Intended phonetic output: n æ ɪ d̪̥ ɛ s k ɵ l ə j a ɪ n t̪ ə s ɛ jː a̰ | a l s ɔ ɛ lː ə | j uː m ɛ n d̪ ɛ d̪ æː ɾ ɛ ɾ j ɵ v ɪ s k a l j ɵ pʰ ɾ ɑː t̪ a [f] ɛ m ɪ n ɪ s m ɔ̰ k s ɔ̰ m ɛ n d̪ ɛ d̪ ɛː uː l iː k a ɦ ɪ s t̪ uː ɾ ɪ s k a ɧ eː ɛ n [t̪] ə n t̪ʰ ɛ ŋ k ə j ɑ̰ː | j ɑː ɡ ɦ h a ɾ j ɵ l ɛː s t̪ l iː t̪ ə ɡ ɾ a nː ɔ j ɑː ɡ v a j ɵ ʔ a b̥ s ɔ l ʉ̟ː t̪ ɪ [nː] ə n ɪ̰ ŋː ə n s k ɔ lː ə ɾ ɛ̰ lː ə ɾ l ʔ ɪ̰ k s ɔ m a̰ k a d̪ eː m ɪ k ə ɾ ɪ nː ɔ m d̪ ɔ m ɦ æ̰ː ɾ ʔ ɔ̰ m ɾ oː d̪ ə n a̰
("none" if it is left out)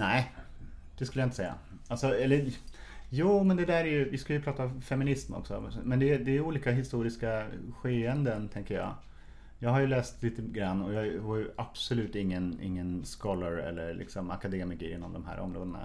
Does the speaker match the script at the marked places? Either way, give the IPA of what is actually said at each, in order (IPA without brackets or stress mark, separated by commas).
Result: f, d̪, ŋː